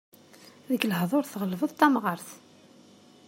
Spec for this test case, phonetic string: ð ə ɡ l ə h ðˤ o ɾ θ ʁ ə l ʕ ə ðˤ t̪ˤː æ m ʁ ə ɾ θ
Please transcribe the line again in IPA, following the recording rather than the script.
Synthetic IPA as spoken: ð ə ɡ l ə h ðˤ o ɾ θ ʁ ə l v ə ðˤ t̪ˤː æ m ʁ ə ɾ θ